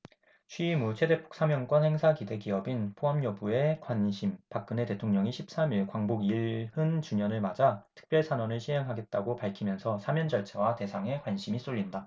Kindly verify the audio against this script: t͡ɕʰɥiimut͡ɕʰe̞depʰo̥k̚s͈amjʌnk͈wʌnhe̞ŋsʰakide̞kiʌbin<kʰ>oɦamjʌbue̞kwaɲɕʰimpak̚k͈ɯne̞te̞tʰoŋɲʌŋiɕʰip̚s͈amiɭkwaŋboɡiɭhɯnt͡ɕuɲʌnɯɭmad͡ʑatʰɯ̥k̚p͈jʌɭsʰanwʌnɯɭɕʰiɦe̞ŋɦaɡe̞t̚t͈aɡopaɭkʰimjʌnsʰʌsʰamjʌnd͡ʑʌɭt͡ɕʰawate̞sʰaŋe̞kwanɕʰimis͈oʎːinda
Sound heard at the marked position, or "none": pʰ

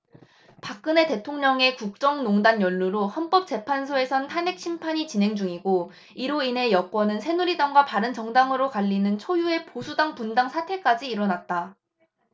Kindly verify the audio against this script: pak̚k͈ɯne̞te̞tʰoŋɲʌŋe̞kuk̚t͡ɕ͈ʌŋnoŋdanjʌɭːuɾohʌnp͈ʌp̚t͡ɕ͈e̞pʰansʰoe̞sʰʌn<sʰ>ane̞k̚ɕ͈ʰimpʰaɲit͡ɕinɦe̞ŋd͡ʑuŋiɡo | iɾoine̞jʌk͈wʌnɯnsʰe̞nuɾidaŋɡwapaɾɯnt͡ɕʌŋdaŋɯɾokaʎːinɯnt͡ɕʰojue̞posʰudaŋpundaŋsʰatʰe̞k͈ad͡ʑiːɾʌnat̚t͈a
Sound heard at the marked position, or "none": tʰ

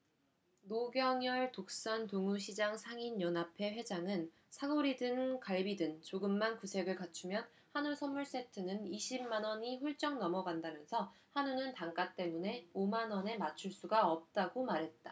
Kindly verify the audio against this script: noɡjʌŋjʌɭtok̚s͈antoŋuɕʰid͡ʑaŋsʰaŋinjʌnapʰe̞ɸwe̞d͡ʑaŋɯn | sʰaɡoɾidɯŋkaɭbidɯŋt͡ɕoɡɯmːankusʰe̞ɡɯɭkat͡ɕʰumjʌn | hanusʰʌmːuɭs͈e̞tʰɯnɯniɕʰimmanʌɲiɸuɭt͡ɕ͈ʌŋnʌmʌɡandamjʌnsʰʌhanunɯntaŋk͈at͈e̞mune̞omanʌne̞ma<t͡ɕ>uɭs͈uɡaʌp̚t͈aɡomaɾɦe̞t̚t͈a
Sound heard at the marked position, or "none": t͡ɕʰ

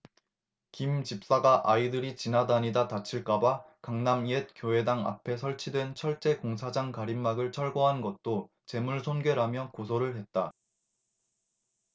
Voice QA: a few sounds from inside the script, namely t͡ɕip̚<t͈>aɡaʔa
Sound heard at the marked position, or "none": s͈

